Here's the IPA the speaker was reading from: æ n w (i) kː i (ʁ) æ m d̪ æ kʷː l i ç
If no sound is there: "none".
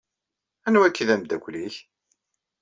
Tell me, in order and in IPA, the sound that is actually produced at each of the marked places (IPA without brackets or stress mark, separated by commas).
æ, ð